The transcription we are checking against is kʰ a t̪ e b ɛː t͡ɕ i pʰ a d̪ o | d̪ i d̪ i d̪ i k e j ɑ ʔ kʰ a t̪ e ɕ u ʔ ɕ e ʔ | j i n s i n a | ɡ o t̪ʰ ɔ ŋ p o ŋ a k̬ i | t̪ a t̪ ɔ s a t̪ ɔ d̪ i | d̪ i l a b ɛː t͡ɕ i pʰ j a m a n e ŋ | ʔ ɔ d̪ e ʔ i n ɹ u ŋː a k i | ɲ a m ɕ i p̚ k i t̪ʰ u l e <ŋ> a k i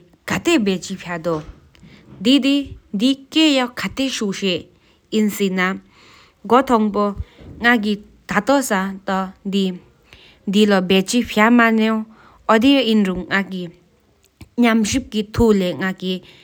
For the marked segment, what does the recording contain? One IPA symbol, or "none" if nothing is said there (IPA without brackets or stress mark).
ŋ